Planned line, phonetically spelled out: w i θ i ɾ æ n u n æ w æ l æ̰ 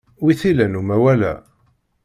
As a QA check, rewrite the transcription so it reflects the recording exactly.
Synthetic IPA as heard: w i θ i l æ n u m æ w æ l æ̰